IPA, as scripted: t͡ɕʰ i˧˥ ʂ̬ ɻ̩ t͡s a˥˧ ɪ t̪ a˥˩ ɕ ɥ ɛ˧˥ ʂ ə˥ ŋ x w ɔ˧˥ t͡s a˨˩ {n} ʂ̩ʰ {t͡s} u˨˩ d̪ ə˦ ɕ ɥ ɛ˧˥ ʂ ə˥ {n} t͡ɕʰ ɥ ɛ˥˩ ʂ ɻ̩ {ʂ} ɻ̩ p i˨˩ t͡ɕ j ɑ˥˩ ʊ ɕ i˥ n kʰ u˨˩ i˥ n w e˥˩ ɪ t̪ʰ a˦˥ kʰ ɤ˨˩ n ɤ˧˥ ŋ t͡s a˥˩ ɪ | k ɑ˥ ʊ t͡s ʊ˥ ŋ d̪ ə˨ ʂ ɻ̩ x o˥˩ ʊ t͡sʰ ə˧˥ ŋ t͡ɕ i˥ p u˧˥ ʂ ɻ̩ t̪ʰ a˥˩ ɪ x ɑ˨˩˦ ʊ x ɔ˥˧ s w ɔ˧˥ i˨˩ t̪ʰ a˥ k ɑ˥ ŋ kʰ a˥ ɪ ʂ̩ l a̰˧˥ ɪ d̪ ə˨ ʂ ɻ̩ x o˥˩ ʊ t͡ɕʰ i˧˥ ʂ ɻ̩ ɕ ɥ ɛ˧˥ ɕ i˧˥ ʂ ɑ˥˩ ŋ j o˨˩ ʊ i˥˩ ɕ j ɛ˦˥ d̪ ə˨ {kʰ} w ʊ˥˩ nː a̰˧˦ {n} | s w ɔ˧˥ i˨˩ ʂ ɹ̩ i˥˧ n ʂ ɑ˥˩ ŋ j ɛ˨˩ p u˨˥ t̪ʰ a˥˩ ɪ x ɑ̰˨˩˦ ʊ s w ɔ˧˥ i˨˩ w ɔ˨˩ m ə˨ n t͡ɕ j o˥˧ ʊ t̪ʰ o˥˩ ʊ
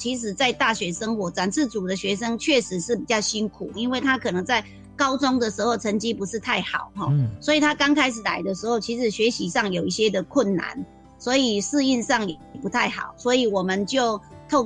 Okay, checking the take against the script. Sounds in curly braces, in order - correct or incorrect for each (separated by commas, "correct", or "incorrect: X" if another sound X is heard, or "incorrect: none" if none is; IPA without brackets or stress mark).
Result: correct, correct, incorrect: ŋ, correct, correct, correct